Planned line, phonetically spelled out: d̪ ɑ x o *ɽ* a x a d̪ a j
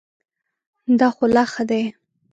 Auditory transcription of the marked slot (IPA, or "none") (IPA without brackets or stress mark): l